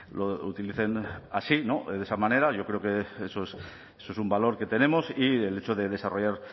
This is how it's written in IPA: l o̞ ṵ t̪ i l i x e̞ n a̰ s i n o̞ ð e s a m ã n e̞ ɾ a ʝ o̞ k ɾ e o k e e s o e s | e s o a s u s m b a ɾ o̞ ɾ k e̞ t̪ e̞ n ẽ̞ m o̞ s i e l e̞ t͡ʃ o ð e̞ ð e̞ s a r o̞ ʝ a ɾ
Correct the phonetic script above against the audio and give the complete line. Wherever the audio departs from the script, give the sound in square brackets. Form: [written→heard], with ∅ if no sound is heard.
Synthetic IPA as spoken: l o̞ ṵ t̪ i l i [x→θ] e̞ n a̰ s i n o̞ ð e s a m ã n e̞ ɾ a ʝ o̞ k ɾ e o k e e s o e s | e s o [a→e] s u [s→∅] m b a [ɾ→l] o̞ ɾ k e̞ t̪ e̞ n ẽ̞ m o̞ s i e l e̞ t͡ʃ o ð e̞ ð e̞ s a r o̞ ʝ a ɾ